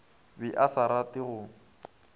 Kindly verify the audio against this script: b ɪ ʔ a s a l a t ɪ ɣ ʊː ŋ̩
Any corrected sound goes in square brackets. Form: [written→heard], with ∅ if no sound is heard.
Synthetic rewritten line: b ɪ ʔ a s a [l→ɾ] a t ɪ ɣ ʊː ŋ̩